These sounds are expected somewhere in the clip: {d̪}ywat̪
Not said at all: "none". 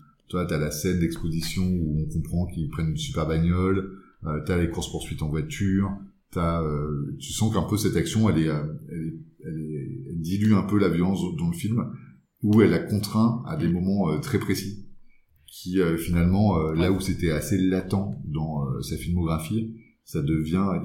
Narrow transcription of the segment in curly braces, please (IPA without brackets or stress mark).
t̪